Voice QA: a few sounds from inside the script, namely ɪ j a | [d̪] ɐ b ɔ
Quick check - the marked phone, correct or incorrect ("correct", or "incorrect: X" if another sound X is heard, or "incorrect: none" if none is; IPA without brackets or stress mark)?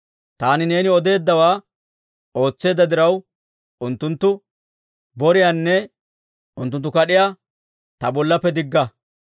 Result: incorrect: t̪